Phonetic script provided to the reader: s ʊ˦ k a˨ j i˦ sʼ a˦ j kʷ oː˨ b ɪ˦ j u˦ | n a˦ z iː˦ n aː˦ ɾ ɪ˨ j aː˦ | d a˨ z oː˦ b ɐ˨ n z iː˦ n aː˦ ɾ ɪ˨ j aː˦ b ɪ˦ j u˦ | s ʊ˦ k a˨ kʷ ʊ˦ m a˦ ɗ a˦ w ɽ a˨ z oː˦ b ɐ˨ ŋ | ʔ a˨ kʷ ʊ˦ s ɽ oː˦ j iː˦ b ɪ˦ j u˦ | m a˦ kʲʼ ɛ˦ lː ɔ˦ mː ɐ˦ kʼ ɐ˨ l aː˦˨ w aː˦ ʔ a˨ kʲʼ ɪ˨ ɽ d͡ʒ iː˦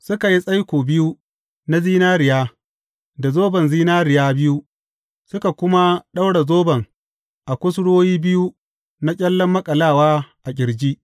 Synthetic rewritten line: s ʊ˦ k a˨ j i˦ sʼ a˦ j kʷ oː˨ b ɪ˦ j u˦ | n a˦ z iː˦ n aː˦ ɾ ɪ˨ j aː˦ | d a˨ z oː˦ b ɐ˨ n z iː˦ n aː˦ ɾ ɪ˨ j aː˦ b ɪ˦ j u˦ | s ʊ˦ k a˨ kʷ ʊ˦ m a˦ ɗ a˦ w ɽ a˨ z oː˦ b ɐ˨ ŋ | ʔ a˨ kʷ ʊ˦ s ɽ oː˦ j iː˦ b ɪ˦ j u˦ | n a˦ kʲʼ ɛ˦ lː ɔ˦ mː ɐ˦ kʼ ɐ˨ l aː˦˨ w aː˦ ʔ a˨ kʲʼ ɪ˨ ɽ d͡ʒ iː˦